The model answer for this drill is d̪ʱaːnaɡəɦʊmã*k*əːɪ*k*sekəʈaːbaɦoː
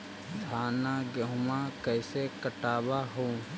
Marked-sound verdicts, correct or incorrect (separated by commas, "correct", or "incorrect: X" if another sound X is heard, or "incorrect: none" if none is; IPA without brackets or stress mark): correct, incorrect: none